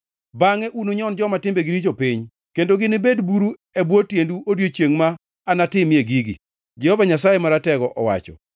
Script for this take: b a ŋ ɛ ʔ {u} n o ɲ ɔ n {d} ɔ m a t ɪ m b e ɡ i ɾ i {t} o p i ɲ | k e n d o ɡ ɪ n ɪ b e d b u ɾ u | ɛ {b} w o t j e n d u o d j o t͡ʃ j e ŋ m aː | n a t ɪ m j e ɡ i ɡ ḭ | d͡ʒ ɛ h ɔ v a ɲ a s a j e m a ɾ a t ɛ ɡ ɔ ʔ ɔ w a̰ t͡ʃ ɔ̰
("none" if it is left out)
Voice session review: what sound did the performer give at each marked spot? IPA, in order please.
u, d͡ʒ, t͡ʃ, b

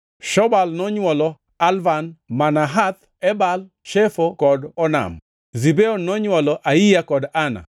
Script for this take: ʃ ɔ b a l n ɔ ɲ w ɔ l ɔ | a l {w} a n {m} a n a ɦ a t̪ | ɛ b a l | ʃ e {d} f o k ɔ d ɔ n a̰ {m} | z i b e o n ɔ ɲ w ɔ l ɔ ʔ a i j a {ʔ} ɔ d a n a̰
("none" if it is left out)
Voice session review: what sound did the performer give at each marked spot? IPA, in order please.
v, m, none, m, k

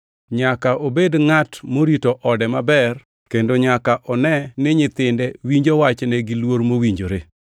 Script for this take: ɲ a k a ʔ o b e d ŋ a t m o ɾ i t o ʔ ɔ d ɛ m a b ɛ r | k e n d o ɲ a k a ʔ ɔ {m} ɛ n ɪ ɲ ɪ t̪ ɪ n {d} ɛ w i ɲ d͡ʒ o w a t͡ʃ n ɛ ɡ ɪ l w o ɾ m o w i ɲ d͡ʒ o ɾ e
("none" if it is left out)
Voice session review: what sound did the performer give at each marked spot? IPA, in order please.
n, d

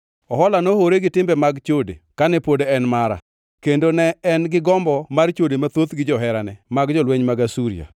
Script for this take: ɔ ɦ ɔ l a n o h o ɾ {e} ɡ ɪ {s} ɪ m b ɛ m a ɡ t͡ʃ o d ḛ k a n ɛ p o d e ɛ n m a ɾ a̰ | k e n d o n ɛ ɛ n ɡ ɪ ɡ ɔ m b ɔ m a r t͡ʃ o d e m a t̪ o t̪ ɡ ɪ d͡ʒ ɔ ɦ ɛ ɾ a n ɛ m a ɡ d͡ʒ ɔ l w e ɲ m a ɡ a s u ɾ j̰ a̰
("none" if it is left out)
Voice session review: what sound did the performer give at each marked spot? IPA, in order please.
e, t

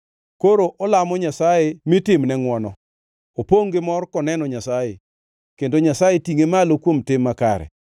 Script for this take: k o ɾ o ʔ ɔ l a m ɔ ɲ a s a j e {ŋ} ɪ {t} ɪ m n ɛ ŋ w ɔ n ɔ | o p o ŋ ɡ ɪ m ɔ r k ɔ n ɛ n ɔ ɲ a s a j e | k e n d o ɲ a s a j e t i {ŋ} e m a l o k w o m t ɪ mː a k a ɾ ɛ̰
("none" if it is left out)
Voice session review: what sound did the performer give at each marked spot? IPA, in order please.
m, t, ŋ

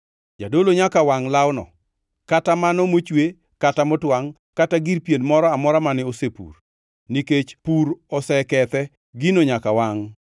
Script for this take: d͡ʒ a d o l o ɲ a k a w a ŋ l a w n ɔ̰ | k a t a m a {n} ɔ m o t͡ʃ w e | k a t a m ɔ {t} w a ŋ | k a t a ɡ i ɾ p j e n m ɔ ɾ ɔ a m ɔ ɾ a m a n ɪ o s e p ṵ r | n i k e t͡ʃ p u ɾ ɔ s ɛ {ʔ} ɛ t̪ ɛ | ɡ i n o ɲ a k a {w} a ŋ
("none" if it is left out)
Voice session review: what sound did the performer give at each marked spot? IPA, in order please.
n, t, k, w

